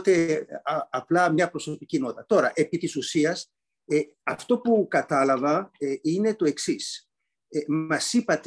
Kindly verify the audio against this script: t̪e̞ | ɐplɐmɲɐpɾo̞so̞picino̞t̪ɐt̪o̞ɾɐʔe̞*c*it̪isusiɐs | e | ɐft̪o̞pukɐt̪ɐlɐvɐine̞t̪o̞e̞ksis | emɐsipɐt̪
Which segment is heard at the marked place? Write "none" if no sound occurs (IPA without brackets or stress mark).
p